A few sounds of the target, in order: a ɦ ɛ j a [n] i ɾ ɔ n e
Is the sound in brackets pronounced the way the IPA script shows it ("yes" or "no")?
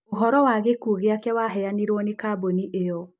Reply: yes